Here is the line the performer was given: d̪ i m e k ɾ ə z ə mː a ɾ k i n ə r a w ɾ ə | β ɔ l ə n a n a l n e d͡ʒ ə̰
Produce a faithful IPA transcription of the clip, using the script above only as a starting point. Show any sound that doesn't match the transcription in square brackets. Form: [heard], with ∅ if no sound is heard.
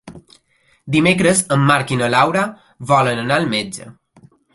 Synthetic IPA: d̪ i m e k ɾ ə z ə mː a ɾ k i n ə [l] a w ɾ [a] | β ɔ l ə n [ə] n a l [m] e d͡ʒ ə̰

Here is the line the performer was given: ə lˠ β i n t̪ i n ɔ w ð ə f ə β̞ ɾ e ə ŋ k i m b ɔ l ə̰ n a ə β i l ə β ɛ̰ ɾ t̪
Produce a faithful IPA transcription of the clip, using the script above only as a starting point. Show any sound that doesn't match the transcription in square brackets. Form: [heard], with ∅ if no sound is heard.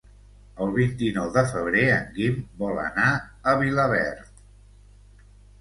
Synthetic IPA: ə lˠ β i n t̪ i n ɔ w ð ə f ə β̞ ɾ e ə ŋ [ɡ] i m b ɔ l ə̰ n a ə β i l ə β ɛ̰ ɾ t̪

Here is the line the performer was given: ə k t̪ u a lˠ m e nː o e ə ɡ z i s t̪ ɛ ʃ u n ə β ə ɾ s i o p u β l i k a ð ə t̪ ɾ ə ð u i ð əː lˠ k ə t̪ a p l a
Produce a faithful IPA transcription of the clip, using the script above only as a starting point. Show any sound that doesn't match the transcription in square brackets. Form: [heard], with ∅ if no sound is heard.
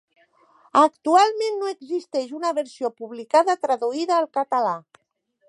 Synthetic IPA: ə k t̪ u a lˠ m e nː o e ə ɡ z i s t̪ ɛ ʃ u n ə β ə ɾ s i o p u β l i k a ð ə t̪ ɾ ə ð u i ð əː lˠ k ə t̪ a [∅] l a

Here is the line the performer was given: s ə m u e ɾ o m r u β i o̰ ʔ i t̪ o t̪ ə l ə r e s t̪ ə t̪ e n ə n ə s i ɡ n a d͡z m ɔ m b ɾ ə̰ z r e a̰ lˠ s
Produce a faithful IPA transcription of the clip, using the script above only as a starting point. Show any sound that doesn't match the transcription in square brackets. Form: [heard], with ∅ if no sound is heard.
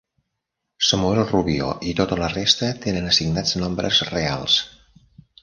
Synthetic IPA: s ə m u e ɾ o [∅] r u β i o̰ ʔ i t̪ o t̪ ə l ə r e s t̪ ə t̪ e n ə n ə s i ɡ n a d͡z [n] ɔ m b ɾ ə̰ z r e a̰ lˠ s

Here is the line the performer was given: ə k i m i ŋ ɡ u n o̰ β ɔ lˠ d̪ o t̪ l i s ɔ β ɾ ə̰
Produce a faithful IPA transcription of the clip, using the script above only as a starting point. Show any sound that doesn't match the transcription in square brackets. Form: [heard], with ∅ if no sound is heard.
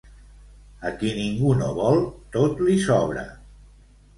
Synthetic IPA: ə k i [n] i ŋ ɡ u n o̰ β ɔ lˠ [t̪] o t̪ l i s ɔ β ɾ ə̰

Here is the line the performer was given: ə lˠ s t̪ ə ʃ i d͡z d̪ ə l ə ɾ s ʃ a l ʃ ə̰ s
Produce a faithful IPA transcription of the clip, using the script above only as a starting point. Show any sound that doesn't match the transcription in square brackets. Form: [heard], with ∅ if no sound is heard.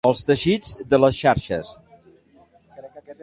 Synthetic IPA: ə lˠ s t̪ ə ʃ i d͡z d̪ ə l ə [∅] s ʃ a [ɾ] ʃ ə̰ s

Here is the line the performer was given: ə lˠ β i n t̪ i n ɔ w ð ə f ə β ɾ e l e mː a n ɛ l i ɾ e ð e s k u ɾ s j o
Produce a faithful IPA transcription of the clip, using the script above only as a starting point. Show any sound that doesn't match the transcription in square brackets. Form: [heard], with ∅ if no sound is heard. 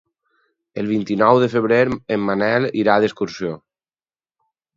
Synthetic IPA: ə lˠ β i n t̪ i n ɔ w ð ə f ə β ɾ e [ɾ] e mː a n ɛ l i ɾ [a] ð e s k u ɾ s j o

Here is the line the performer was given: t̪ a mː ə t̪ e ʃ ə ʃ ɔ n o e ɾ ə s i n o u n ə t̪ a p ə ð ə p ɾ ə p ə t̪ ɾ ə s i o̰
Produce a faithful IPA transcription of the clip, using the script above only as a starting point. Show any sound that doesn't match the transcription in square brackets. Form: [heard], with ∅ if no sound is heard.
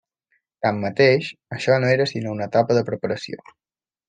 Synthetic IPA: t̪ a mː ə t̪ e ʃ ə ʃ ɔ n o e ɾ ə s i n o u n ə t̪ a p ə ð ə p ɾ ə p ə [∅] ɾ ə s i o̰

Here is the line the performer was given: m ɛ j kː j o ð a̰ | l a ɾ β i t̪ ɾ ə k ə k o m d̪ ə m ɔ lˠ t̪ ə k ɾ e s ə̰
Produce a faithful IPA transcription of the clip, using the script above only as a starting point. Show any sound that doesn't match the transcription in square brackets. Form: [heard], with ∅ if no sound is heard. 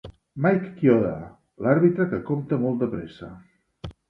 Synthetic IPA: m [a] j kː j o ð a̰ | l a ɾ β i t̪ ɾ ə k ə k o m [t̪] ə m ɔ lˠ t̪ ə [p] ɾ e s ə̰

